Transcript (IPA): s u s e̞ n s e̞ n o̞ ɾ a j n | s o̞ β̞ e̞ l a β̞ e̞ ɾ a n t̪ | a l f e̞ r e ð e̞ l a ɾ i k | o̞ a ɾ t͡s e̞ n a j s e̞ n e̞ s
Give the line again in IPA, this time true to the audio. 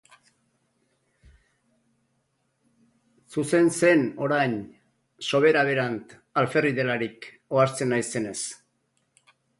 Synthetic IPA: s u s e̞ n s e̞ n o̞ ɾ a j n | s o̞ β̞ e̞ ɾ a β̞ e̞ ɾ a n t̪ | a l f e̞ r i ð e̞ l a ɾ i k | o̞ a ɾ t͡s e̞ n a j s e̞ n e̞ s